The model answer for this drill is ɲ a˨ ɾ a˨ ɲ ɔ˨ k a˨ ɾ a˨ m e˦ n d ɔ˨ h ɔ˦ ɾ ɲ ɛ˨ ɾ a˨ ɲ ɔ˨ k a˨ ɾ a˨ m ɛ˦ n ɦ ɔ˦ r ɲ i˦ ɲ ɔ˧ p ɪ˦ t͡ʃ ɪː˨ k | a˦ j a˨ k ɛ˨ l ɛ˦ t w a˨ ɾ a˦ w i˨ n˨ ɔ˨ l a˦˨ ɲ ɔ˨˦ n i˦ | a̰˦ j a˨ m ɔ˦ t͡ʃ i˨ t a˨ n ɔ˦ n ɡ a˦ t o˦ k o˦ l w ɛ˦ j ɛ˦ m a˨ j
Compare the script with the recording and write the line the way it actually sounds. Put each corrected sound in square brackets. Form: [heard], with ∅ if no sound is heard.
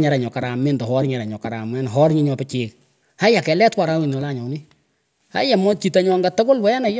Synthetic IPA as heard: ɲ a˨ ɾ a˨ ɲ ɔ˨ k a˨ ɾ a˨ m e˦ n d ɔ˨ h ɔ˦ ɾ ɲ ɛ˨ ɾ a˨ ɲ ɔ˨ k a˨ ɾ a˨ m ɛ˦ n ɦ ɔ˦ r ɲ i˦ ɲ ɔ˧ p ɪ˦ t͡ʃ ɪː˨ k | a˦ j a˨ k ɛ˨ l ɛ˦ t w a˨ ɾ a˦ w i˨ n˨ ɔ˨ l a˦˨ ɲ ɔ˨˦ n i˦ | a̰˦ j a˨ m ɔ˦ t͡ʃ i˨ t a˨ [ɲ] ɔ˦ [ŋ] ɡ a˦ t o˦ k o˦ l w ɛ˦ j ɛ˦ [n] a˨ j